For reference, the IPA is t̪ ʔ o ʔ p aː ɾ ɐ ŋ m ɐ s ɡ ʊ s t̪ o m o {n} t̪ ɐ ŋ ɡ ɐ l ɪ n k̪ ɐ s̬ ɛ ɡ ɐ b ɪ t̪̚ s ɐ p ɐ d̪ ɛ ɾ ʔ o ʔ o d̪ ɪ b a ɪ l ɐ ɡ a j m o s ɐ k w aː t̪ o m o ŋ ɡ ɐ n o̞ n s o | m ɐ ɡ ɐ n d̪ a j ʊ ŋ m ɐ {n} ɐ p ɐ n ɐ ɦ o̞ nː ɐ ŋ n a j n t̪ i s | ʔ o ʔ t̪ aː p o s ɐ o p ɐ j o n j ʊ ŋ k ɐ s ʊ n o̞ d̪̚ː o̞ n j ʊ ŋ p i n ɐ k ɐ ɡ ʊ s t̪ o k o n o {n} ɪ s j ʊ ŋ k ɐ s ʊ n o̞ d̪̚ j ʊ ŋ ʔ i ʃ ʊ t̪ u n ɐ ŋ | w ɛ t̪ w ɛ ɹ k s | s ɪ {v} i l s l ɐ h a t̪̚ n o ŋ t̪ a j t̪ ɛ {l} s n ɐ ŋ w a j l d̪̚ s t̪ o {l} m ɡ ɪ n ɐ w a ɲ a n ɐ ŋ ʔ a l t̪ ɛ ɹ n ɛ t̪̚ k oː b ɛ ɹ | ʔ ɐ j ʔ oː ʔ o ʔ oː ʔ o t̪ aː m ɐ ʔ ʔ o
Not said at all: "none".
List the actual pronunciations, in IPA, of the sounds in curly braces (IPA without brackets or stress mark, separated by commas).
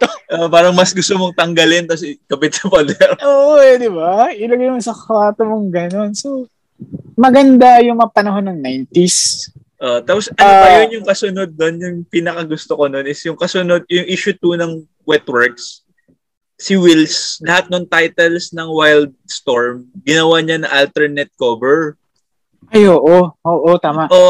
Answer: ŋ, ŋ, n, w, l, ɹ